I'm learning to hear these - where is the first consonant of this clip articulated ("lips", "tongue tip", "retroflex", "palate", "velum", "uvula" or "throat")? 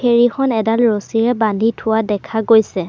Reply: tongue tip